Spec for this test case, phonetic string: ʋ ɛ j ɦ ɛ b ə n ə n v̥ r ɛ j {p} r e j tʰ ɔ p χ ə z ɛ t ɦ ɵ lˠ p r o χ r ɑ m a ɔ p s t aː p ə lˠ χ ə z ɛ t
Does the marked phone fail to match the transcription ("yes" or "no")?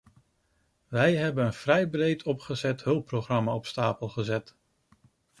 yes